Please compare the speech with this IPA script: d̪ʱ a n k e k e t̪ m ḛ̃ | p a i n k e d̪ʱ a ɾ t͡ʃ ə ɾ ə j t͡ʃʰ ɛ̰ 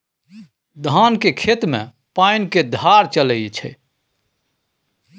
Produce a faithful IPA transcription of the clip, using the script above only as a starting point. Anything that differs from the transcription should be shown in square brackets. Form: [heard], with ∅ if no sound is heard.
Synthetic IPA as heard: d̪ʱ a n k e [kʰ] e t̪ m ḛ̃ | p a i n k e d̪ʱ a ɾ t͡ʃ ə [l] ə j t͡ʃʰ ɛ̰